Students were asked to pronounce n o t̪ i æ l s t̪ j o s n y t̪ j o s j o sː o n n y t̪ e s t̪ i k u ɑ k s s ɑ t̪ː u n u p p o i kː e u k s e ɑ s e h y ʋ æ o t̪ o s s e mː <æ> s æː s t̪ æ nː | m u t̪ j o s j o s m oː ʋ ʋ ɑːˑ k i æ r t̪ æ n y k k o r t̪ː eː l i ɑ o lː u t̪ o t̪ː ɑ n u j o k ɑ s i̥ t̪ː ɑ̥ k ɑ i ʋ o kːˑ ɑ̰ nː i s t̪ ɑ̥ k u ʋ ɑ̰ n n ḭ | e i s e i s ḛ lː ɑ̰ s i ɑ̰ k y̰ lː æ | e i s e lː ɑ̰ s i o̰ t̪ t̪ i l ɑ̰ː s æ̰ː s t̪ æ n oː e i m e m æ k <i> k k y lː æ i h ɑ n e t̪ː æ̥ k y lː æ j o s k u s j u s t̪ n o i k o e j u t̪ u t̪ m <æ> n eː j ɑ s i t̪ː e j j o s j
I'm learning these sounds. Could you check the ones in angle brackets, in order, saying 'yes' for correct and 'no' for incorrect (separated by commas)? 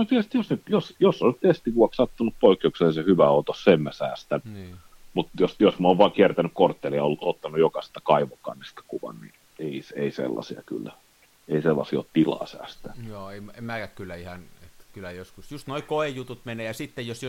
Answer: yes, no, no